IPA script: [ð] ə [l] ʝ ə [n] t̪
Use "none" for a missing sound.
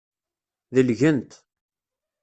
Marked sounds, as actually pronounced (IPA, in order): ð, l, n

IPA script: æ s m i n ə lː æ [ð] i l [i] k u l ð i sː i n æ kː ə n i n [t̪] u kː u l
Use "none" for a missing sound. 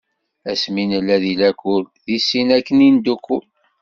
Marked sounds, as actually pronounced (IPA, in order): ð, æ, d̪

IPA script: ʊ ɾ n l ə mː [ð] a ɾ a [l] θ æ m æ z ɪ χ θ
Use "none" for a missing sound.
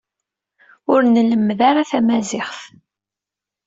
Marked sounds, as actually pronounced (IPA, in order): ð, none

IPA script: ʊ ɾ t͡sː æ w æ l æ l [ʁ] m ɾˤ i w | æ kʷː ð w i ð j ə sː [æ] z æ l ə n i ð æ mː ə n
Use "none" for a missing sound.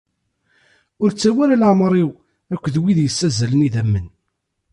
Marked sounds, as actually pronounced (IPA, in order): ʕ, æ

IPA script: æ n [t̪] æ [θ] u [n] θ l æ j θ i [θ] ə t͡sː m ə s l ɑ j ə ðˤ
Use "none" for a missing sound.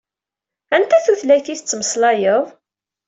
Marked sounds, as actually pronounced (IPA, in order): t̪, θ, none, θ

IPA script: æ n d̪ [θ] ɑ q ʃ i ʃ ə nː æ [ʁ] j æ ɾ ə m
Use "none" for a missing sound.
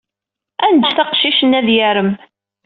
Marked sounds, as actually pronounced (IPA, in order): θ, ð

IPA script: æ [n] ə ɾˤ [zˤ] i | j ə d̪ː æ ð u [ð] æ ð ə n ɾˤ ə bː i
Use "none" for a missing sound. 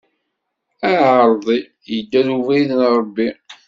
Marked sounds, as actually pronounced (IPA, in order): none, ðˤ, v

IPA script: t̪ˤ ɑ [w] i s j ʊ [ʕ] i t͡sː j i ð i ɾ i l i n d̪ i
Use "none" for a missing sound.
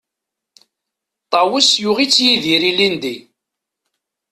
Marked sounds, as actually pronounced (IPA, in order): w, ʁ

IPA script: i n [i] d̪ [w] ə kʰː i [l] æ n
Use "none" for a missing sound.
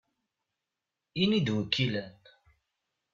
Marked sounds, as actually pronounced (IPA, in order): i, w, l

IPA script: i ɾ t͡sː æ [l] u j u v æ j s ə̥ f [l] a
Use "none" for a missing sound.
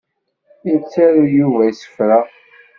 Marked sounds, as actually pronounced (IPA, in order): ɾ, ɾ

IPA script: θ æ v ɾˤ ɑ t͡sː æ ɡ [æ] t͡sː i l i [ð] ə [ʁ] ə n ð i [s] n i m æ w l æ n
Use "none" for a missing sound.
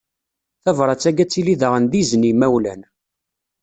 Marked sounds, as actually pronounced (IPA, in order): æ, ð, ʁ, z

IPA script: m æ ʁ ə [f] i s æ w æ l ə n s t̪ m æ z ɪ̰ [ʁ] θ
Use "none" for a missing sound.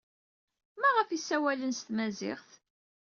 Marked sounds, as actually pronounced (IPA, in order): f, χ

